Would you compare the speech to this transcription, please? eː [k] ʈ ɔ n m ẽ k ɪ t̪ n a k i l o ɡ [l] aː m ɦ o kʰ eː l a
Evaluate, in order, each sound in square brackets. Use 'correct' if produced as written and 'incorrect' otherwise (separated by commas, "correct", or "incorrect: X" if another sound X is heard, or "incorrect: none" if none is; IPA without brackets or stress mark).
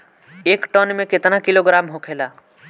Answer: correct, incorrect: ɾ